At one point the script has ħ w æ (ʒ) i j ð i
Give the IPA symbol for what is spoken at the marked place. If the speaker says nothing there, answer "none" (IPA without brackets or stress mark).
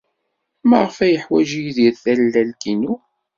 ʒ